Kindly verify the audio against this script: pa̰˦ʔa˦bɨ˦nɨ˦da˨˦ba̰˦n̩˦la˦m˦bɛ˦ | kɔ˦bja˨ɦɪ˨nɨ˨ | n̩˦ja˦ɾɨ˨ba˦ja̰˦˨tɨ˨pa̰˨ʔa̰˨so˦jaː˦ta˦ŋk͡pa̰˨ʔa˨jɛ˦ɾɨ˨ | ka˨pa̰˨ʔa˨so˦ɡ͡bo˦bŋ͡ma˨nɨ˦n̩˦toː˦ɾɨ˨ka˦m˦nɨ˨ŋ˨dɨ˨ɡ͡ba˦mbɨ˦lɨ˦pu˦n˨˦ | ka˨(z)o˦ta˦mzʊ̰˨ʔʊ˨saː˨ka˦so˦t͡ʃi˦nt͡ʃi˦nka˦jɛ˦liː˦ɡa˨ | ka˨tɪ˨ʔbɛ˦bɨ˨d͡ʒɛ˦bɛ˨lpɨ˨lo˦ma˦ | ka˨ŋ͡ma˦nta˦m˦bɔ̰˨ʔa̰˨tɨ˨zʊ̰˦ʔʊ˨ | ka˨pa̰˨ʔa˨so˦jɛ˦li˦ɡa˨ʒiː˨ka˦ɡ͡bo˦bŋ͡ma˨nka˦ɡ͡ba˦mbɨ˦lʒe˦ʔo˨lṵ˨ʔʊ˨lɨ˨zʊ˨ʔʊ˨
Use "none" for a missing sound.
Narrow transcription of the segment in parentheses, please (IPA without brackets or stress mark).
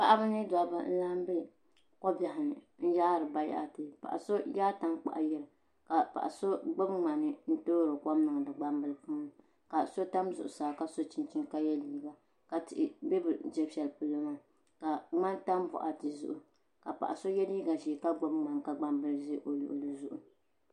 s